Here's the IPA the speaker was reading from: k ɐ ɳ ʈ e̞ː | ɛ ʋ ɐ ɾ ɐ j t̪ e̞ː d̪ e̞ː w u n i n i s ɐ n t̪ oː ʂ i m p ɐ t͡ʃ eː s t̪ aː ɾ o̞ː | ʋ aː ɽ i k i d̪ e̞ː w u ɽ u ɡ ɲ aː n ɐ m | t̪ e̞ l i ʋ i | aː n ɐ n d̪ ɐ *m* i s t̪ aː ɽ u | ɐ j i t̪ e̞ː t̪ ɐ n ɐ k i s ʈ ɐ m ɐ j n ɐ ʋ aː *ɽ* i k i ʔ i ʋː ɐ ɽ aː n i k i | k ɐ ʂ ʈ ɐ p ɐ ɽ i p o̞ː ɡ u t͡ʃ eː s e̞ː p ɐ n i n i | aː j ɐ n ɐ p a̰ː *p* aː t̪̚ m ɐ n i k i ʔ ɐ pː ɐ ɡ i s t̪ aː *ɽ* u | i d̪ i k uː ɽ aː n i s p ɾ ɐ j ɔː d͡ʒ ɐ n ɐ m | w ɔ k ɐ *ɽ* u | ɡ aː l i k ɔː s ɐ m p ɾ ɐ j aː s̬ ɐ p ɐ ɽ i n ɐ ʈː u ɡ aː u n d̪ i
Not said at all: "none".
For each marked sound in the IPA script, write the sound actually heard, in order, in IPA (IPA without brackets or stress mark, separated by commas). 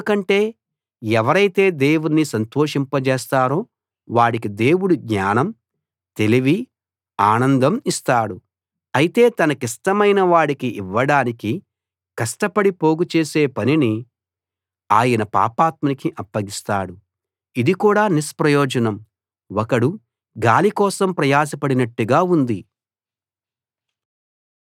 m, ɽ, p, ɽ, ɽ